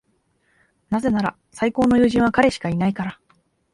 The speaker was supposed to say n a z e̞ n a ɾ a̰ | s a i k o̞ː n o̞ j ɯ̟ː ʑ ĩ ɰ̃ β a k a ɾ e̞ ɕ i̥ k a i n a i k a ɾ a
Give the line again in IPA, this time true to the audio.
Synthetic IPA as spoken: n a z e̞ n a ɾ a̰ | s a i k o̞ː n o̞ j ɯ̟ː ʑ ĩ ɰ̃ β a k a ɾ e̞ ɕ i̥ k a i n a i k a ɾ a